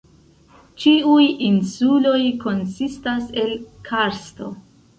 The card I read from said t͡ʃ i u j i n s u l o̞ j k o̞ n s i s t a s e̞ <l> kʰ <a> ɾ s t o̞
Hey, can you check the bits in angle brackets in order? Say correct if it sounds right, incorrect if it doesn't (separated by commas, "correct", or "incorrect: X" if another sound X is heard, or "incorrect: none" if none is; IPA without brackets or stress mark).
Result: correct, correct